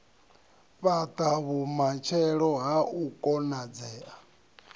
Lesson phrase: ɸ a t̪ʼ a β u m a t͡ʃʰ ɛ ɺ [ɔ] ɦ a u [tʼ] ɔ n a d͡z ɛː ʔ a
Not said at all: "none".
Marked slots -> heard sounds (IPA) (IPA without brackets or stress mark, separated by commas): ɔ, kʼ